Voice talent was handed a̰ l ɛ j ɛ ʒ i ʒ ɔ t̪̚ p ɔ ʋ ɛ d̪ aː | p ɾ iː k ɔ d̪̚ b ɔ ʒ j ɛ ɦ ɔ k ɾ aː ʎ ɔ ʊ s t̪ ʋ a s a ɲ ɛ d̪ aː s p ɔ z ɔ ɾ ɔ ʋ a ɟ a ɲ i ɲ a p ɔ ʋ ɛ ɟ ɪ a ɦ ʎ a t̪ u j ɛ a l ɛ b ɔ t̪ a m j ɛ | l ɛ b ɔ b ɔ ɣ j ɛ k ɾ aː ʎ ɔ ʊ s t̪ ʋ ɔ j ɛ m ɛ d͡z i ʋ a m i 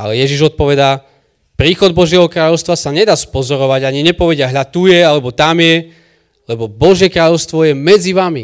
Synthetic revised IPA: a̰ l ɛ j ɛ ʒ i ʒ ɔ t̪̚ p ɔ ʋ ɛ d̪ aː | p ɾ iː x ɔ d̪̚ b ɔ ʒ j ɛ ɦ ɔ k ɾ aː ʎ ɔ ʊ s t̪ ʋ a s a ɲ ɛ d̪ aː s p ɔ z ɔ ɾ ɔ ʋ a ɟ a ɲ i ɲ ɛ p ɔ ʋ ɛ ɟ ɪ a ɦ ʎ a t̪ u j ɛ a l ɛ b ɔ t̪ a m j ɛ | l ɛ b ɔ b ɔ ʒ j ɛ k ɾ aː ʎ ɔ ʊ s t̪ ʋ ɔ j ɛ m ɛ d͡z i ʋ a m i